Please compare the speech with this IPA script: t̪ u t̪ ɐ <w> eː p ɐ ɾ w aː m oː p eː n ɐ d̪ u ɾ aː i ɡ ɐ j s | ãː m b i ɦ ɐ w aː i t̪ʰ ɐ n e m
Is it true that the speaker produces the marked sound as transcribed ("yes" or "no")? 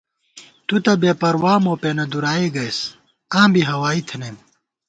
no